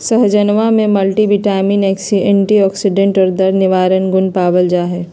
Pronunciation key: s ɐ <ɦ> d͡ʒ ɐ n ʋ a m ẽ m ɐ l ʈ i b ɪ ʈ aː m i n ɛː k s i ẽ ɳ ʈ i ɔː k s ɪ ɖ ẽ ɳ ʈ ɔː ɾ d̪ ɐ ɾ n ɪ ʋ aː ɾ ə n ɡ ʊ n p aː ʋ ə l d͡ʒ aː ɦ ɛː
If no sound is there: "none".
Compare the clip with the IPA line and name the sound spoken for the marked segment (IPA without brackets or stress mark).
ɦ